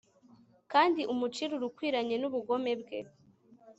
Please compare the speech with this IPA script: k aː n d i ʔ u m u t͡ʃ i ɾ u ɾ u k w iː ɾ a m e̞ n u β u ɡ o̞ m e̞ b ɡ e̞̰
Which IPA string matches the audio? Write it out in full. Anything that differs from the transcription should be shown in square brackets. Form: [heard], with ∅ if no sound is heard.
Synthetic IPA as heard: k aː n d i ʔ u m u t͡ʃ i ɾ u ɾ u k w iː ɾ a [ɲ] e̞ n u β u ɡ o̞ m e̞ b ɡ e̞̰